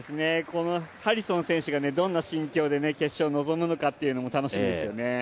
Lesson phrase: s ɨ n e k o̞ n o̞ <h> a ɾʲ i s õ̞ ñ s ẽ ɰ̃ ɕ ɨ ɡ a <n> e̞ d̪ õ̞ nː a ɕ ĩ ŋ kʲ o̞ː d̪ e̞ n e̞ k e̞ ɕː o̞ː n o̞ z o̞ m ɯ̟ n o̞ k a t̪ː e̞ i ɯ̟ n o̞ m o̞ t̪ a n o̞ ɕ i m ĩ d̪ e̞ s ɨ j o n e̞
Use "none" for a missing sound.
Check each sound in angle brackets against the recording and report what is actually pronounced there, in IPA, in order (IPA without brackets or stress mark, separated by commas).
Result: h, n